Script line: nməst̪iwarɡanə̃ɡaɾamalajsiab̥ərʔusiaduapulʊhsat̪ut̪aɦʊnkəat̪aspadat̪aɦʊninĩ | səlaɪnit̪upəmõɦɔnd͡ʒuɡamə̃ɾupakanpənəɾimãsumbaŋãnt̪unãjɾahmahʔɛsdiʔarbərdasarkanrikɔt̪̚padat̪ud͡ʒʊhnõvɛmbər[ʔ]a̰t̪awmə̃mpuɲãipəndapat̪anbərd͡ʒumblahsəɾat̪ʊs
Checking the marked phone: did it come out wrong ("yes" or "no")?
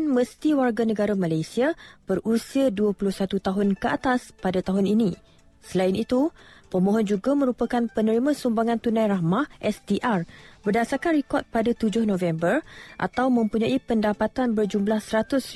no